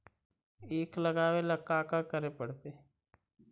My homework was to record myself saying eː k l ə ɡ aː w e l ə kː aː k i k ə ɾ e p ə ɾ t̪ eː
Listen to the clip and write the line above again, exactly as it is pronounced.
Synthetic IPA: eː k l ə ɡ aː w e l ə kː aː k a k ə ɾ e p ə ɽ t̪ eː